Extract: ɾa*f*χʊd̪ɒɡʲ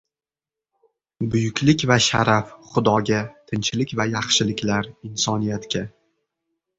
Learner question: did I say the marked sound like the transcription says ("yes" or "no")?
yes